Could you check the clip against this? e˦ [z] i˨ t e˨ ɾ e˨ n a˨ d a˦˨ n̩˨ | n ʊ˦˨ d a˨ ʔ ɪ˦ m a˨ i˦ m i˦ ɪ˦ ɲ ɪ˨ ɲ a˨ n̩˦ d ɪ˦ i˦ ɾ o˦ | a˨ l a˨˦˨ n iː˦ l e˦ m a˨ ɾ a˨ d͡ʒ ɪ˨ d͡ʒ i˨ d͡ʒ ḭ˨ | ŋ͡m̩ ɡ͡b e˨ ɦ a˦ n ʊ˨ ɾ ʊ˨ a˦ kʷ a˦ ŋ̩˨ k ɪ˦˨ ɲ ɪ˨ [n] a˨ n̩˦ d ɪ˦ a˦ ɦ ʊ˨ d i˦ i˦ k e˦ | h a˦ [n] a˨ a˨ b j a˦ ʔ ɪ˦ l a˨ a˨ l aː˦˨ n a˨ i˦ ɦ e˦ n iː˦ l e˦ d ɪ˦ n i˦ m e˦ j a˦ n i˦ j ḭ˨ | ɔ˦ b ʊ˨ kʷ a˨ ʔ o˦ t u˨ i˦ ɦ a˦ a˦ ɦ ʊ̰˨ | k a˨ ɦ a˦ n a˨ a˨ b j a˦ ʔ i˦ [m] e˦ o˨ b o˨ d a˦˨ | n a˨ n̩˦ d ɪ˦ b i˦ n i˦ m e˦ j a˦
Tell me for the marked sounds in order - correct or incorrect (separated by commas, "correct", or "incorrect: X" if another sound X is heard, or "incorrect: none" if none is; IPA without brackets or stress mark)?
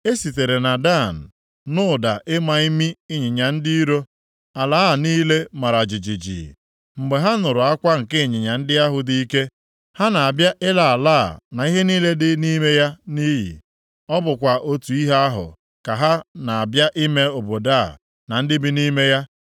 incorrect: s, incorrect: ɲ, correct, correct